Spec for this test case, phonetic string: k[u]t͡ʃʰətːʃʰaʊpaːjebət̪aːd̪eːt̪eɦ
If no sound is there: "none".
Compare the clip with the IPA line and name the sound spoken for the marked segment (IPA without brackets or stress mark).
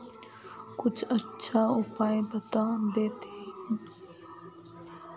ʊ